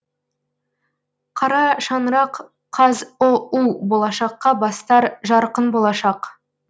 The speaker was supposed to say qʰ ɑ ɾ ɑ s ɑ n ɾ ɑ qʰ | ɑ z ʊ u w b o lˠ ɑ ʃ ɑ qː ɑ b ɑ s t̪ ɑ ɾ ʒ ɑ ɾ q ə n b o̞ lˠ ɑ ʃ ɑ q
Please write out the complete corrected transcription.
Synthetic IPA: qʰ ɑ ɾ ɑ ʃ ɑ n ɾ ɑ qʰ | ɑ z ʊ u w b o lˠ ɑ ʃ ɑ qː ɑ b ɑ s t̪ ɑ ɾ ʒ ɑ ɾ q ə n b o̞ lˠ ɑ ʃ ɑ q